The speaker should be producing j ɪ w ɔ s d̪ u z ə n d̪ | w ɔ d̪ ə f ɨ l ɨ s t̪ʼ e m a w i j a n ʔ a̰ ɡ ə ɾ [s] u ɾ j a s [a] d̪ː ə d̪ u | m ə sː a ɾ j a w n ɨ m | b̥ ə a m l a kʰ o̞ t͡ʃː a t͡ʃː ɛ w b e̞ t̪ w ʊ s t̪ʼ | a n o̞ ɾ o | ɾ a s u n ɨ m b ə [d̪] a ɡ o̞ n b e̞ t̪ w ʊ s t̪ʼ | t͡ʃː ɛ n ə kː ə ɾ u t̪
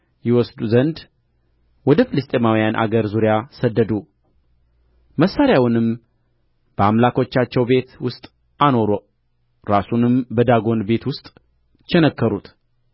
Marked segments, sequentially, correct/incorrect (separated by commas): incorrect, incorrect, correct